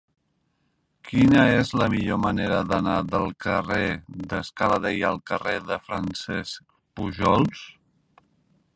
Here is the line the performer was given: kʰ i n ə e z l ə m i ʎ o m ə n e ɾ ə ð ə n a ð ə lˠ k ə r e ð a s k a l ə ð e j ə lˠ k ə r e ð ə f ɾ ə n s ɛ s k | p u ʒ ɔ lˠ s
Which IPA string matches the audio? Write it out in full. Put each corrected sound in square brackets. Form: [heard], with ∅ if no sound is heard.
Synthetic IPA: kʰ i n ə e z l ə m i ʎ o m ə n e ɾ ə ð ə n a ð ə lˠ k ə r e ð [ə] s k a l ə ð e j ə lˠ k ə r e ð ə f ɾ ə n s ɛ s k | p u ʒ ɔ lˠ s